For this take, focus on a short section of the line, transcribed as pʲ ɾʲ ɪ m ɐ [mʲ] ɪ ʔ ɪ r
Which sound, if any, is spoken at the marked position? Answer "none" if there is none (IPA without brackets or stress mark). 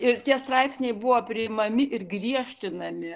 mʲ